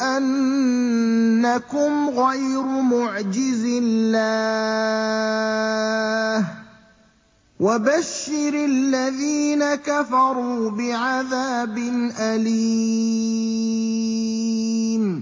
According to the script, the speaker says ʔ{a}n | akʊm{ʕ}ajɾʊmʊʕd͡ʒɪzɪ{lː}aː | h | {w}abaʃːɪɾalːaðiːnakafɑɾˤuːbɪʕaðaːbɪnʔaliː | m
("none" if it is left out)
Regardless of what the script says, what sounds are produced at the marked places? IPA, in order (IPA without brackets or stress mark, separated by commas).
a, ɣ, lː, w